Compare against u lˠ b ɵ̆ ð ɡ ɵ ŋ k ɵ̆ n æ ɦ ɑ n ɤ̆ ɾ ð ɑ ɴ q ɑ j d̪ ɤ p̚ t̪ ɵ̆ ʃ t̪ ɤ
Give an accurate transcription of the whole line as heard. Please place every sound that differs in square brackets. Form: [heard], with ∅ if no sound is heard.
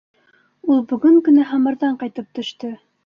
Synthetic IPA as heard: u lˠ b ɵ̆ [∅] ɡ ɵ ŋ k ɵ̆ n æ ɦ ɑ [m] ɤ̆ ɾ ð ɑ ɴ q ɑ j [t̪] ɤ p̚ t̪ ɵ̆ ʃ t̪ ɤ